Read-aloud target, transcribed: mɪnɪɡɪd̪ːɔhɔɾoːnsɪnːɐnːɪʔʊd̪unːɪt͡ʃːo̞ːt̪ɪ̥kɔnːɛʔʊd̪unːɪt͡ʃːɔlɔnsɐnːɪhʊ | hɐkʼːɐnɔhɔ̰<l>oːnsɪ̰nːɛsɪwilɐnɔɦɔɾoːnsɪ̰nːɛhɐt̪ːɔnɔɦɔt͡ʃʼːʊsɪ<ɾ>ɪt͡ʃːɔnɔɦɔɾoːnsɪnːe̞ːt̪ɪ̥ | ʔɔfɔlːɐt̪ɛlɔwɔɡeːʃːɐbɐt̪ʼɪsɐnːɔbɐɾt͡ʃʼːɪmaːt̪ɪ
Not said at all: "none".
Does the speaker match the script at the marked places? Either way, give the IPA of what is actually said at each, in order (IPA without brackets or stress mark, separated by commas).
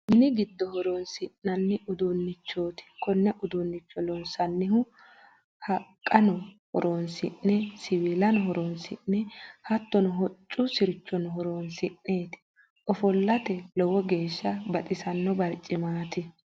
ɾ, ɾ